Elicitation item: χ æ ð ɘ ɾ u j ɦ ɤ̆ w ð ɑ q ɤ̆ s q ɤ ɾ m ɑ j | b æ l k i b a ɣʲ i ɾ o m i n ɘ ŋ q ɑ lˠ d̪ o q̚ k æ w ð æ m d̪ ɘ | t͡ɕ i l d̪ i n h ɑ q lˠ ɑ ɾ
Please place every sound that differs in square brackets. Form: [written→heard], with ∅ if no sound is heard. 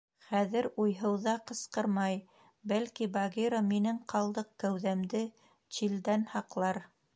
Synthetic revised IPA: χ æ ð ɘ ɾ u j ɦ ɤ̆ w ð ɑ q ɤ̆ s q ɤ ɾ m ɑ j | b æ l k i b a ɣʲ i ɾ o m i n ɘ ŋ q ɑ lˠ d̪ [o→ɤ] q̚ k æ w ð æ m d̪ ɘ | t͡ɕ i l d̪ [i→æ] n h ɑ q lˠ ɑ ɾ